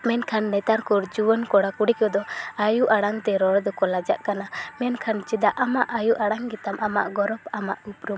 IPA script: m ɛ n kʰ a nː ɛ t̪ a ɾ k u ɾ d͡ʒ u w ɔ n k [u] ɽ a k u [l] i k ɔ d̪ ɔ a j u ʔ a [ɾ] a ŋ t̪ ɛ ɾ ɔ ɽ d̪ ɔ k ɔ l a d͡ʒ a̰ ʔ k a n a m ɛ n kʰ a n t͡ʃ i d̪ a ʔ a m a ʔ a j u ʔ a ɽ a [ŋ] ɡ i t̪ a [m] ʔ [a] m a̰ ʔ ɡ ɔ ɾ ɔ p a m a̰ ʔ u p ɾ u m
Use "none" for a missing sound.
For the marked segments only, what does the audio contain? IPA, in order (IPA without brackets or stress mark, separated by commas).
ɔ, ɽ, ɽ, ŋ, m, a